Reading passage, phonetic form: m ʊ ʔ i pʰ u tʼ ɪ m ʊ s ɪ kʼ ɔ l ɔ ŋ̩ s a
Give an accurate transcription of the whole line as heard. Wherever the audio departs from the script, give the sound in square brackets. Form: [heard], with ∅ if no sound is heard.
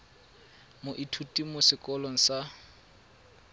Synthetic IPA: m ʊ ʔ i [tʰ] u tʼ [i] m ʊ s ɪ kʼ ɔ l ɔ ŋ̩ s a